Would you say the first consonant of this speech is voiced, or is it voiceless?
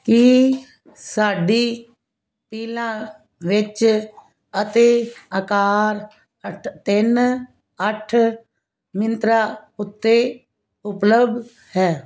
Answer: voiceless